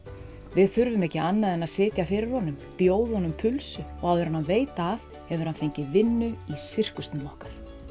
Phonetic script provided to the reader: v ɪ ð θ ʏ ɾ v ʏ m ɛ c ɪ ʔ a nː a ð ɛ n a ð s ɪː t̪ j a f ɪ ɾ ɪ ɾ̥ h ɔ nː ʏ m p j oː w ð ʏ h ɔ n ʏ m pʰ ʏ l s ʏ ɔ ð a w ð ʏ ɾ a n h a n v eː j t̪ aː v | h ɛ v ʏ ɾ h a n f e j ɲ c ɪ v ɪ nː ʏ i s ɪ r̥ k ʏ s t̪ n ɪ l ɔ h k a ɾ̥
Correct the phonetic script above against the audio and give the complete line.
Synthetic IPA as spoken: v ɪ ð θ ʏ ɾ v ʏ m ɛ c ɪ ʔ a nː a ð ɛ n a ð s ɪː t̪ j a f ɪ ɾ ɪ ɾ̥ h ɔ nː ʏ m p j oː w ð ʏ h ɔ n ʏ m pʰ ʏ l s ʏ ɔ ɣ a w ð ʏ ɾ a n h a n v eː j t̪ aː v | h ɛ v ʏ ɾ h a n f e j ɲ c ɪ v ɪ nː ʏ i s ɪ r̥ k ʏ s t̪ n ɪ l ɔ h k a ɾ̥